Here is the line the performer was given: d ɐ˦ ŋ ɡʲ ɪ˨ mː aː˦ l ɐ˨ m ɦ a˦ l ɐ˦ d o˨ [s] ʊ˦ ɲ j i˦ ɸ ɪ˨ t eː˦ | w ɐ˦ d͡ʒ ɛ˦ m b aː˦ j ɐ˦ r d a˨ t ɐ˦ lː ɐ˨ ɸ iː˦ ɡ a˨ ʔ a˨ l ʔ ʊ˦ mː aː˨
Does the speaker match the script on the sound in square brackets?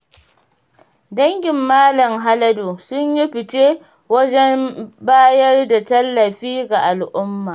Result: yes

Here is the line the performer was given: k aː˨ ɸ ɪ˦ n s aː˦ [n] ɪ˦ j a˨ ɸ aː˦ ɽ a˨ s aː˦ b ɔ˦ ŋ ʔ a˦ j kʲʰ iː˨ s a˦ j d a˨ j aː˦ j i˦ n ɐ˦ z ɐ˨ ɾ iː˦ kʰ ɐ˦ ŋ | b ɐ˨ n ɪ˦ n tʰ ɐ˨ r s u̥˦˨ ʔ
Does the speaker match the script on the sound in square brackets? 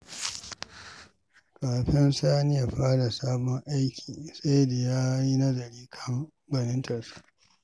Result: yes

